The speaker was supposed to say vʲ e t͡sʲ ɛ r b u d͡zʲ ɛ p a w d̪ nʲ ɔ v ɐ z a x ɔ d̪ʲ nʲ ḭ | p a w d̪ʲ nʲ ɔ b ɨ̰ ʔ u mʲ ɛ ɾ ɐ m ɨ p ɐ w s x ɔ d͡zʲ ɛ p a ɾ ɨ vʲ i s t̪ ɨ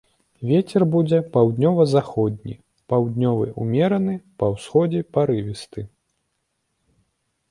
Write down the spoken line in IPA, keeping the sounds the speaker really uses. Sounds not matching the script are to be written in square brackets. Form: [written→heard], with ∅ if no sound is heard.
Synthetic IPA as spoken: vʲ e t͡sʲ ɛ r b u d͡zʲ ɛ p a w d̪ nʲ ɔ v ɐ z a x ɔ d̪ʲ nʲ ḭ | p a w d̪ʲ nʲ ɔ [b→v] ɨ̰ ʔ u mʲ ɛ ɾ ɐ [m→n] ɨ p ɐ w s x ɔ d͡zʲ ɛ p a ɾ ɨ vʲ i s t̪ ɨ